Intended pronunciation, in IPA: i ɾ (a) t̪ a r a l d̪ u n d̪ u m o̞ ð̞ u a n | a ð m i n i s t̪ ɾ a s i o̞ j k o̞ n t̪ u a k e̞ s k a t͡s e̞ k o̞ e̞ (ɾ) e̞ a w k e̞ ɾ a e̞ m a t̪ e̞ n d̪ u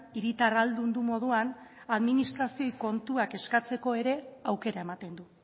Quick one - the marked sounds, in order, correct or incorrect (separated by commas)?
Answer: incorrect, correct